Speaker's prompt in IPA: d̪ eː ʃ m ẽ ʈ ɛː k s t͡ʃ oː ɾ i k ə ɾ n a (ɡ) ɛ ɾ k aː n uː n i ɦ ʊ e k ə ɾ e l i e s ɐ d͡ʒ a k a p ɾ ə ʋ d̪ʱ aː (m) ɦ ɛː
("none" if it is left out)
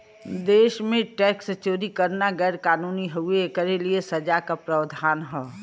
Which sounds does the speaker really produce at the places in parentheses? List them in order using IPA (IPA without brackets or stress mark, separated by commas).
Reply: ɡ, n